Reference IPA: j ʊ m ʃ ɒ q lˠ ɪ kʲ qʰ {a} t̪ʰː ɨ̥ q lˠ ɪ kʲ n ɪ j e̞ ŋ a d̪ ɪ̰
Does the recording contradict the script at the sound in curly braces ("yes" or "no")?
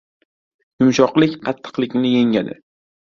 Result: yes